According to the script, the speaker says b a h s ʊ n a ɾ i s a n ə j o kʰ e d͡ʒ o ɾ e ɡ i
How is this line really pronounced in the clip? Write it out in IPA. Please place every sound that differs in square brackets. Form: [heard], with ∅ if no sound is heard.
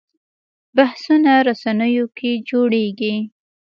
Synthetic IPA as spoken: b a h s [u] n a ɾ [a] s a n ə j o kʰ e d͡ʒ o [ɽ] e ɡ i